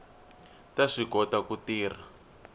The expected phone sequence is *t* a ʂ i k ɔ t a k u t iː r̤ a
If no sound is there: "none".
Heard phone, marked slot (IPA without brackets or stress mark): t